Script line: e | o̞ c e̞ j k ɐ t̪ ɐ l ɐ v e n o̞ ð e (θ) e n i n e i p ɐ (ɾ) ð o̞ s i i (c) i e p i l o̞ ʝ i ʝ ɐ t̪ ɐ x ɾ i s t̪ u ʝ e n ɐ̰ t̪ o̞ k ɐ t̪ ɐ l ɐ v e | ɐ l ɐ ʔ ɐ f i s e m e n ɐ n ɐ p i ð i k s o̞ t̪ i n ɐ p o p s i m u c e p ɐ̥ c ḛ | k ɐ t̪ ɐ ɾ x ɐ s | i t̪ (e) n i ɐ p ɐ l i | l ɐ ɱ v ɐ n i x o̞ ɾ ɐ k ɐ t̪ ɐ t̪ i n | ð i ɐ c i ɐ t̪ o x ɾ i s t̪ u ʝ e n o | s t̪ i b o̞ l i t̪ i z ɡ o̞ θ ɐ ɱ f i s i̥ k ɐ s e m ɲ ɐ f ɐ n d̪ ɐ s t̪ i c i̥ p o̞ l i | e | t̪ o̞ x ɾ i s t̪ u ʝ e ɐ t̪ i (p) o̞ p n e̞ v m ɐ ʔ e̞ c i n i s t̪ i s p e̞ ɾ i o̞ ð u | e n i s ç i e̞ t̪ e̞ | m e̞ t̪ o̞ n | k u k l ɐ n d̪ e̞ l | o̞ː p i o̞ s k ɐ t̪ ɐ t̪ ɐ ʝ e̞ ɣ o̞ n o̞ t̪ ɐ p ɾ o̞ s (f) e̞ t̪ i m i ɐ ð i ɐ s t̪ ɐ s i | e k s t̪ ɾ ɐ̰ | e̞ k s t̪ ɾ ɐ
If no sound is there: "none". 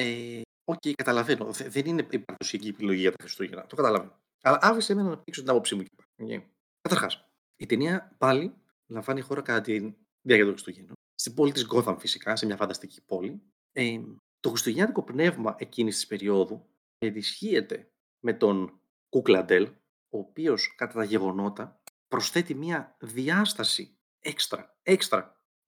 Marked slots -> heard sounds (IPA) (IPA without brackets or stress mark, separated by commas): ð, ɾ, c, e, k, θ